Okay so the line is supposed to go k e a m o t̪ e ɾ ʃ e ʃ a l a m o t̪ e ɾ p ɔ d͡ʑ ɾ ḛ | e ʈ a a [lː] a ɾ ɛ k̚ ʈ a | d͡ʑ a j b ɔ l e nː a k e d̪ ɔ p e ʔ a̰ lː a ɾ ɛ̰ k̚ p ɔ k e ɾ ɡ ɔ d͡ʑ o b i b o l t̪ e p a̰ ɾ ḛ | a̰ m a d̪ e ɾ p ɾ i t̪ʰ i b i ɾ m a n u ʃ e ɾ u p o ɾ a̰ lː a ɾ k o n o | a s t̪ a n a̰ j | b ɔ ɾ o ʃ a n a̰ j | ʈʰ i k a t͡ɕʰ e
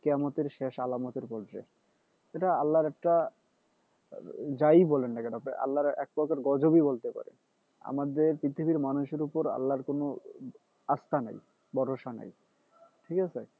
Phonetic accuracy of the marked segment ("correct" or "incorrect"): correct